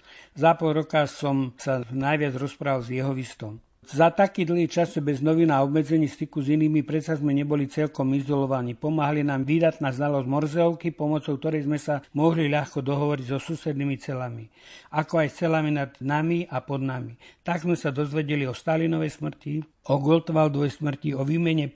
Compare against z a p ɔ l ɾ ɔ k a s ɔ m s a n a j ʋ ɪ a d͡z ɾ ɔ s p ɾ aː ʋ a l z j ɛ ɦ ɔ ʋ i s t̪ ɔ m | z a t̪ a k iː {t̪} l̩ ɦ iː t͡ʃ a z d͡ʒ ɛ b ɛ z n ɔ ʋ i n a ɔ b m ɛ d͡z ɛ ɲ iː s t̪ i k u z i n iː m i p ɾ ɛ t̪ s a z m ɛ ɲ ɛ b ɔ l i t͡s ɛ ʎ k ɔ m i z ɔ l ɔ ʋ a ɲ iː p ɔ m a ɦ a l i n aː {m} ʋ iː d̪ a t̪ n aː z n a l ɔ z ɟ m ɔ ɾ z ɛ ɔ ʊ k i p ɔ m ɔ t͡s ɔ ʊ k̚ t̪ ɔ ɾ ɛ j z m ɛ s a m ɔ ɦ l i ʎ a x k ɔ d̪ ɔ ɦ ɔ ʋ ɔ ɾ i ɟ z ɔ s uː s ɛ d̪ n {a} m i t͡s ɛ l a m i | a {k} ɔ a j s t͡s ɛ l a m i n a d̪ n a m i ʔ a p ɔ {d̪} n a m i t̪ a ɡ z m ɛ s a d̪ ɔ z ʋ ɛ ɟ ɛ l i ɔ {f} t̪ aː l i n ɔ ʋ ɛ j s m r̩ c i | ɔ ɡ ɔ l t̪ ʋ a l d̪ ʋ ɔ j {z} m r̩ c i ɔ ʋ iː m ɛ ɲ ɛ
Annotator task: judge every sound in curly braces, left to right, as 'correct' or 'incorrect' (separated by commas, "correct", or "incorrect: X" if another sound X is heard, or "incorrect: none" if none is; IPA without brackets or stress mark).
incorrect: d̪, correct, incorrect: i, correct, correct, incorrect: s, incorrect: s